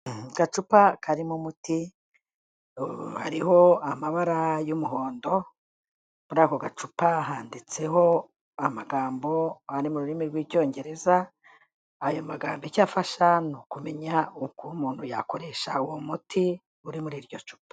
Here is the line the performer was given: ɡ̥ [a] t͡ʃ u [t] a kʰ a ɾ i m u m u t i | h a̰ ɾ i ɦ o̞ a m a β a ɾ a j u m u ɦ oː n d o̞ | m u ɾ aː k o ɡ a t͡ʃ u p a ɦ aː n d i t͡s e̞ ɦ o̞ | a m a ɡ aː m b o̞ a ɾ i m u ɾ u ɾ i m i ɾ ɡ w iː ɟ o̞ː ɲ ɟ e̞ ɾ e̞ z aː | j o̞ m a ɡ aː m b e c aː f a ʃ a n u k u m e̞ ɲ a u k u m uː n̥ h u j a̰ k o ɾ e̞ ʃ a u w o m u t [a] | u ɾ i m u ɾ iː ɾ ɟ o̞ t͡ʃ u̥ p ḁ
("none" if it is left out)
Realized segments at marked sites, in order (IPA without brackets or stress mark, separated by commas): a, p, i